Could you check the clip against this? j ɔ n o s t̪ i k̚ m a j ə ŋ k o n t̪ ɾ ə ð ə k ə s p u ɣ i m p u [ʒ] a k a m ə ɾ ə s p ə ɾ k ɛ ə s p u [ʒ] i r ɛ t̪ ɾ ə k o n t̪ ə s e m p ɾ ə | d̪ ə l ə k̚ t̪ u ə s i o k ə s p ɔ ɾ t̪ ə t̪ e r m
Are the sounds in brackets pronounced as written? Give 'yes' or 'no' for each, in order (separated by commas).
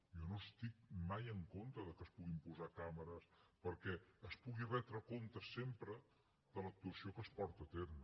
no, no